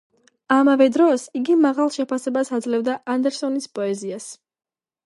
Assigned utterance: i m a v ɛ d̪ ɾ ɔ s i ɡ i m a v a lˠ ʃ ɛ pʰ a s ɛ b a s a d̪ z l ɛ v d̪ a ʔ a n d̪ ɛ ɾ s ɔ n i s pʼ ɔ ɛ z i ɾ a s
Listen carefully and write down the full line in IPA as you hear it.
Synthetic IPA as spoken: a m a v ɛ d̪ ɾ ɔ s i ɡ i m a ʁ a lˠ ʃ ɛ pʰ a s ɛ b a s a d̪ z l ɛ v d̪ a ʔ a n d̪ ɛ ɾ s ɔ n i s pʼ ɔ ɛ z i a s